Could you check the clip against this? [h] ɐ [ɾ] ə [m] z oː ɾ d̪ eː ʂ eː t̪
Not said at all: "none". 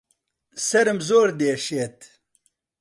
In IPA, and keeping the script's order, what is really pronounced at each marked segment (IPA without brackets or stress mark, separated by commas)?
s, ɾ, m